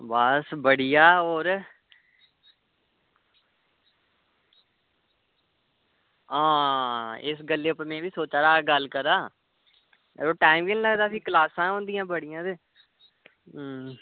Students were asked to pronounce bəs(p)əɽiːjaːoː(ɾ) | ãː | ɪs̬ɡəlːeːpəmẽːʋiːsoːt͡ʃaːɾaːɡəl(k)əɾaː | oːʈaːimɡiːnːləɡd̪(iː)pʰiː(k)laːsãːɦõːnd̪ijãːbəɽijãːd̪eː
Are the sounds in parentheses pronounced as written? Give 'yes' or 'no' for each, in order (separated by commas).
no, yes, yes, no, yes